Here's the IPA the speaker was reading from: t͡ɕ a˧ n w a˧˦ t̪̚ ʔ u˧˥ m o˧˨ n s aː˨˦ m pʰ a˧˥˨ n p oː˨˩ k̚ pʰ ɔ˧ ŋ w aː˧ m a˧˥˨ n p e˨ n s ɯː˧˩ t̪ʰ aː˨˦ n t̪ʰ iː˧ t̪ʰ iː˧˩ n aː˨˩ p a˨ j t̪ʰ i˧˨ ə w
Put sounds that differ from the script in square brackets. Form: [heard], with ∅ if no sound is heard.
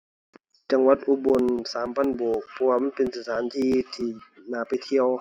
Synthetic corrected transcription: t͡ɕ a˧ [ŋ] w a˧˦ t̪̚ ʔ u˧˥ [b] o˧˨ n s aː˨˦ m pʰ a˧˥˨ n [b] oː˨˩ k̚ pʰ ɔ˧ [∅] w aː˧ m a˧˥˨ n p e˨ n s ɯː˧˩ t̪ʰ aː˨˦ n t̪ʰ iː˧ t̪ʰ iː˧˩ n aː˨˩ p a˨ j t̪ʰ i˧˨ ə w